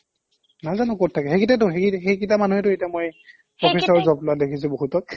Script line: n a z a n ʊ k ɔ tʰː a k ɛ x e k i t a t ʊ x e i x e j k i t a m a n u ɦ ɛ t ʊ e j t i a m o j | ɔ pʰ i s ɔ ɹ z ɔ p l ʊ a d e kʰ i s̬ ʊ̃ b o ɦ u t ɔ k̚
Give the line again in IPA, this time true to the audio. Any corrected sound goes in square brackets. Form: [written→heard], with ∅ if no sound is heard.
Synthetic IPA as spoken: n a z a n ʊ k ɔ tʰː a k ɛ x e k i t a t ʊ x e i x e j k i t a m a n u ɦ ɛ t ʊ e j t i a m o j | ɔ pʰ i s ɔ ɹ z ɔ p l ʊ a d e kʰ i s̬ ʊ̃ b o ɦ u t ɔ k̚